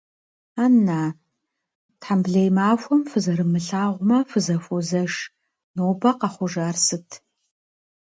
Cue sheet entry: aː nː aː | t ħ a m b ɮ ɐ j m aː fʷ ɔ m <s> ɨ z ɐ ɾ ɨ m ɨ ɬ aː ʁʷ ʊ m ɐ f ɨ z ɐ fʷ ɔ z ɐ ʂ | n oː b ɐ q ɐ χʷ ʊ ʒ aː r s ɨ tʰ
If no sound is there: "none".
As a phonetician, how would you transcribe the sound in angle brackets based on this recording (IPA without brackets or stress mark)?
f